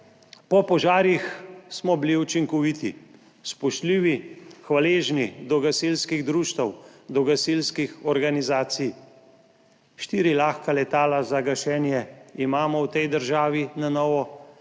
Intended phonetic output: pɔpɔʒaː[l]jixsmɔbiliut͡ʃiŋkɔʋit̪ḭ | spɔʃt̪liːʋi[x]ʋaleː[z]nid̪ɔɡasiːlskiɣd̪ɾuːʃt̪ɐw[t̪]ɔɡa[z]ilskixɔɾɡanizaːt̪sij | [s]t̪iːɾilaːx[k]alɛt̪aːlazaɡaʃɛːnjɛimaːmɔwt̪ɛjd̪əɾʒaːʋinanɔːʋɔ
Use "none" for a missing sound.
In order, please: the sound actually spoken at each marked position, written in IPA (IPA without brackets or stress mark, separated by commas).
ɾ, x, ʒ, d̪, s, ʃ, k